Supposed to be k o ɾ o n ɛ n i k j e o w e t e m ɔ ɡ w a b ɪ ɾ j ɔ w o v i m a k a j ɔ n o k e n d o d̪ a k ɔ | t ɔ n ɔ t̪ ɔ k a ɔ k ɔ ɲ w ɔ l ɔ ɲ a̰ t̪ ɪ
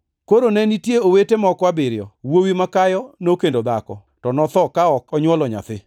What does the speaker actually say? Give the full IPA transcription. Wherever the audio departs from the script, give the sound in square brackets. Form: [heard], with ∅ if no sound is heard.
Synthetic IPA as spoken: k o ɾ o n ɛ n i [t] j e o w e t e m ɔ [k] w a b ɪ ɾ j ɔ w o [w] i m a k a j ɔ n o k e n d o d̪ a k ɔ | t ɔ n ɔ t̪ ɔ k a ɔ k ɔ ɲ w ɔ l ɔ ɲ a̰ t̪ ɪ